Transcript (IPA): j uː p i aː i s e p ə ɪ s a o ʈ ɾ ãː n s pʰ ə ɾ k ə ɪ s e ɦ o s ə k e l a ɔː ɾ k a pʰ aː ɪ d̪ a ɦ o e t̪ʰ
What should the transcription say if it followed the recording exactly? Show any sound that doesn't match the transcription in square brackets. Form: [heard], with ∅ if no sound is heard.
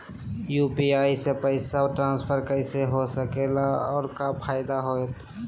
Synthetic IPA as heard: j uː p i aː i s e p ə ɪ s a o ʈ ɾ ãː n s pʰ ə ɾ k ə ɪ s e ɦ o s ə k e l a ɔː ɾ k a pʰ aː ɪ d̪ a ɦ o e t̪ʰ